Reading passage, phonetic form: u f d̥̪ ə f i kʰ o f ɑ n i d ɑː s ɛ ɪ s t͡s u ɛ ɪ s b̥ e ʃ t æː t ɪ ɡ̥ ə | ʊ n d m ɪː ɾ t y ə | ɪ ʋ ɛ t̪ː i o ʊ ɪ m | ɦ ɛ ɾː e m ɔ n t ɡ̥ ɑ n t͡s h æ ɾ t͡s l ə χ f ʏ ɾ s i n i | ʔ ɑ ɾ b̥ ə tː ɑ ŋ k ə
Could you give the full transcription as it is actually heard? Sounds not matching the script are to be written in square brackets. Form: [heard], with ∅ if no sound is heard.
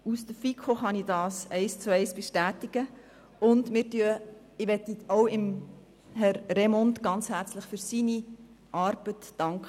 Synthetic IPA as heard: u [s] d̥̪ ə f i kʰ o [χ] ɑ n i d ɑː s ɛ ɪ s t͡s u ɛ ɪ s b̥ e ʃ t æː t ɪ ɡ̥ ə | ʊ n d m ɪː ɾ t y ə | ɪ ʋ ɛ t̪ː i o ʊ ɪ m | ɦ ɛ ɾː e m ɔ n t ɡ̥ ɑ n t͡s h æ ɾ t͡s l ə χ f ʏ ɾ s i n i | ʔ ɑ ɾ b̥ ə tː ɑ ŋ k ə